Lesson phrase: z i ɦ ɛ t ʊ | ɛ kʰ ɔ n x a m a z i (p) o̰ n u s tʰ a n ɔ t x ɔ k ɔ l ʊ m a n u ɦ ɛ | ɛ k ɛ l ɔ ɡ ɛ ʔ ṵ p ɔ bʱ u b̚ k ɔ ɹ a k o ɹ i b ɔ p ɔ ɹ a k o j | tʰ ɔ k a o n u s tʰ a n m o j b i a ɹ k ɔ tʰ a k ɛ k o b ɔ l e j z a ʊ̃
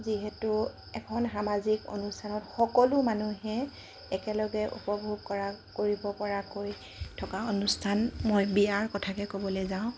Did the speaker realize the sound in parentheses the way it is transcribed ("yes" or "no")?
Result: no